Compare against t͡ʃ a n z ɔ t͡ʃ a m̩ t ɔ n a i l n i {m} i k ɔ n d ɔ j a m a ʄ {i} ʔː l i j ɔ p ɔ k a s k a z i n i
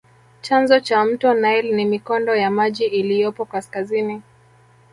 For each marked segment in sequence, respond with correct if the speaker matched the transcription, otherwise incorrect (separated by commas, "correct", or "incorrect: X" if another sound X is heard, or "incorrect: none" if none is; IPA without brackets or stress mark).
correct, correct